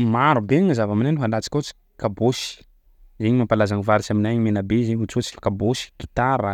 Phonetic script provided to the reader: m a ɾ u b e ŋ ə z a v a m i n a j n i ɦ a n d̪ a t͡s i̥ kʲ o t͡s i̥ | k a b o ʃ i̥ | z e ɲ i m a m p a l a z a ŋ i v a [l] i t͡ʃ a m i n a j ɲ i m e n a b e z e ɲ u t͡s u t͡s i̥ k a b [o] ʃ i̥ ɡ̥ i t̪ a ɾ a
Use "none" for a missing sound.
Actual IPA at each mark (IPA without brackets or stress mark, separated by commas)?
ɾ, o